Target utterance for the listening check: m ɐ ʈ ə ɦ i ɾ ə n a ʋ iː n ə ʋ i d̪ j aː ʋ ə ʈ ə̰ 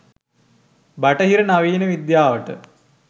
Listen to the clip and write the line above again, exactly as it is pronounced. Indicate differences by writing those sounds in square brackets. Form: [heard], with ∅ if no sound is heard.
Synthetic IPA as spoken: [b] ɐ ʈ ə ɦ i ɾ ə n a ʋ iː n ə ʋ i d̪ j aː ʋ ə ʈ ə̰